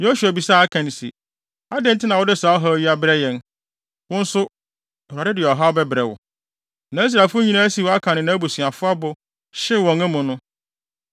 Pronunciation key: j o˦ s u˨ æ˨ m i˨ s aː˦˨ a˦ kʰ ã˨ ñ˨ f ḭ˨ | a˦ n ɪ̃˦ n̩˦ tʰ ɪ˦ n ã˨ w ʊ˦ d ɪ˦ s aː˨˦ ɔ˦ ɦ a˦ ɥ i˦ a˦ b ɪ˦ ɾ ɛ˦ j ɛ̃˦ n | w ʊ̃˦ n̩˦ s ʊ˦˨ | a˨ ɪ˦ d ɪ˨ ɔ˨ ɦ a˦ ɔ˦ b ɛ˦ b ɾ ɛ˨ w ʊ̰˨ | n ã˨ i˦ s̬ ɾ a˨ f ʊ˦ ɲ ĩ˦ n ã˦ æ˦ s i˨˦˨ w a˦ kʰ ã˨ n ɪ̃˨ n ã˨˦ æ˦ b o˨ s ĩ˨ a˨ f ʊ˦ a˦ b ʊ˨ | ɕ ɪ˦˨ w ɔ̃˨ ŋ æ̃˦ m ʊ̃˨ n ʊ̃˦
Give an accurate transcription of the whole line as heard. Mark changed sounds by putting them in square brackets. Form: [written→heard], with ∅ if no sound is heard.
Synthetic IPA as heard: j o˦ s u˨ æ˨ [m→b] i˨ s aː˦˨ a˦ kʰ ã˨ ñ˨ [f→s] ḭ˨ | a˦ [n→d] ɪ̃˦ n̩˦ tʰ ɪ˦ n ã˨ w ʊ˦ d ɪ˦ s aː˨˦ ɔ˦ ɦ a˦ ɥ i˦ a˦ b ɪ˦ ɾ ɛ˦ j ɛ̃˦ n | w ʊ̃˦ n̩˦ s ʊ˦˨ | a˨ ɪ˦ d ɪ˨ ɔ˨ ɦ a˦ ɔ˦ b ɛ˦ b ɾ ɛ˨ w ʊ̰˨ | n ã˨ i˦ s̬ ɾ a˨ f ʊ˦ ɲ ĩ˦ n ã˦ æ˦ s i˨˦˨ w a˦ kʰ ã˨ n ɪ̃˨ n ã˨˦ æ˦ b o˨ s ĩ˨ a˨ f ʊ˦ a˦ b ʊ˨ | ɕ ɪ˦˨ w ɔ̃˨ ŋ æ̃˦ m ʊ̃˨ n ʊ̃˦